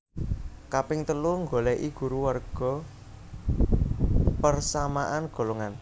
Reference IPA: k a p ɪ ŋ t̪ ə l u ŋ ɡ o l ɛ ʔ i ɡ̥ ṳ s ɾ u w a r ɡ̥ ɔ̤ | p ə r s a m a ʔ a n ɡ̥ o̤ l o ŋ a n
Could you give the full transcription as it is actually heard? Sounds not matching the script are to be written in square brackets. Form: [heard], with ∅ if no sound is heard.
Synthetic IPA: k a p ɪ ŋ t̪ ə l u ŋ ɡ o l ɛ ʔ i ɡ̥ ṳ [∅] ɾ u w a r ɡ̥ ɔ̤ | p ə r s a m a ʔ a n ɡ̥ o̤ l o ŋ a n